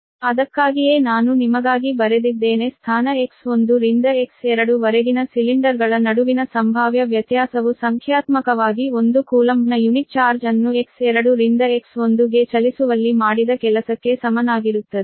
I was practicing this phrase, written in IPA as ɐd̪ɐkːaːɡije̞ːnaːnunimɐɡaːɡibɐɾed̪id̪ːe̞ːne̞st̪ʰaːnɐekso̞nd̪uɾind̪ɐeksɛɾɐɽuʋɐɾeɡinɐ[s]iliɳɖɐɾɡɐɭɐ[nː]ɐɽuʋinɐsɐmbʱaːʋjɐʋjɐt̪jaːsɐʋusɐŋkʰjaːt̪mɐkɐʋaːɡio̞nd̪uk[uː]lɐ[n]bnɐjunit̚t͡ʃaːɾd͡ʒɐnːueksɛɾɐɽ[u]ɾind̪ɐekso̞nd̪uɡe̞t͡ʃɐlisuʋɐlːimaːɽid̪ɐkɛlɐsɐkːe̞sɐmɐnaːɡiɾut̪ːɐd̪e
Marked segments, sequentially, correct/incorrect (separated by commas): correct, incorrect, correct, incorrect, correct